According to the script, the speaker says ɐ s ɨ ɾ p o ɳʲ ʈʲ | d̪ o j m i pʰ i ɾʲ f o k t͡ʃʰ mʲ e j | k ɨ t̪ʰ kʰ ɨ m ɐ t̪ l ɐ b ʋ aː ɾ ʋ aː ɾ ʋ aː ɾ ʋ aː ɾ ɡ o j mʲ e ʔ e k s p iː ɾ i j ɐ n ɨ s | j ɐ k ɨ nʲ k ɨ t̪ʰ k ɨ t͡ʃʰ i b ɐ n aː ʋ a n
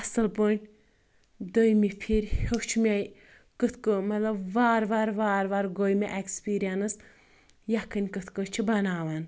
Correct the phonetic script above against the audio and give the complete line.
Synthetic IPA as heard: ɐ s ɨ l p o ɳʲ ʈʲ | d̪ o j m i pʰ i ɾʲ h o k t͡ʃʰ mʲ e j | k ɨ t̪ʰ k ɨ m ɐ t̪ l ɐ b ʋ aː ɾ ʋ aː ɾ ʋ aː ɾ ʋ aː ɾ ɡ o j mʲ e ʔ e k s p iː ɾ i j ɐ n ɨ s | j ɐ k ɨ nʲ k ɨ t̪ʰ k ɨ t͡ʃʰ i b ɐ n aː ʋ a n